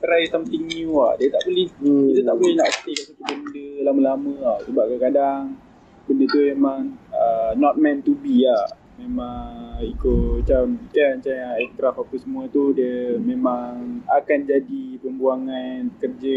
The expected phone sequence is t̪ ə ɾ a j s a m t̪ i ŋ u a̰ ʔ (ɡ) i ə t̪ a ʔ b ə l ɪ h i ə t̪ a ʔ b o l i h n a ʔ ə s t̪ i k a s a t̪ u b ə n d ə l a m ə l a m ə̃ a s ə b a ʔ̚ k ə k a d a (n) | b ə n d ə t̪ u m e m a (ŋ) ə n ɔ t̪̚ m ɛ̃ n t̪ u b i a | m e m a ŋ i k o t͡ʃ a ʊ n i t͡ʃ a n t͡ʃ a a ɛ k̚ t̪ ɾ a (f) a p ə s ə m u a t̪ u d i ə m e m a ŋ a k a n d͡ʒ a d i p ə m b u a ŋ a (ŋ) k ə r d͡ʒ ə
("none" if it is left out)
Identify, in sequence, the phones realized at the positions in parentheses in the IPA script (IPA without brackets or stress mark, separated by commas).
d, ŋ, ŋ, f, n